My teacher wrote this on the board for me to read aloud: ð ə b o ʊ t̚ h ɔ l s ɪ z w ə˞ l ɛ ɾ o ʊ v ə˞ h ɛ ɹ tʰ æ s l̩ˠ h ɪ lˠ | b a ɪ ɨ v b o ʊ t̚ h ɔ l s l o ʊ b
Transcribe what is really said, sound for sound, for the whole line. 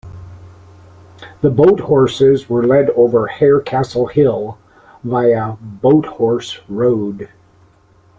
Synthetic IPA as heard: ð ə b o ʊ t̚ h ɔ ɹ s ɪ z w ə˞ l ɛ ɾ o ʊ v ə˞ h ɛ ɹ kʰ æ s l̩ˠ h ɪ lˠ | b a ɪ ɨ b o ʊ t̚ h ɔ ɹ s ɹ o ʊ d